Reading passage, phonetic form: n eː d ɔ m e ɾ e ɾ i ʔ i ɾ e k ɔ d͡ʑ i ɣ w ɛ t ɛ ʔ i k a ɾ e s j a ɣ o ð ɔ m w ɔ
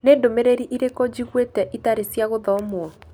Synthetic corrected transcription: n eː d o m e ɾ e ɾ i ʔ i ɾ e k ɔ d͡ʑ i ɣ w e t ɛ ʔ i t a ɾ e s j a ɣ o ð ɔ m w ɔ